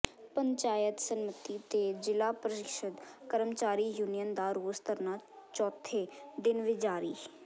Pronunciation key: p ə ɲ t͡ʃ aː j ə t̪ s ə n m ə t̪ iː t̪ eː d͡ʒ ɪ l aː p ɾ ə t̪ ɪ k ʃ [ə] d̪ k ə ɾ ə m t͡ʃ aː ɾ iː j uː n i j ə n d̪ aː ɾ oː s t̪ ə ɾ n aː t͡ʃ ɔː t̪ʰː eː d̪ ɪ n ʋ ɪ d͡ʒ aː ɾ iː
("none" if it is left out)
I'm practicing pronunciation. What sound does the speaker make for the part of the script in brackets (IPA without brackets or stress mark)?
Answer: ə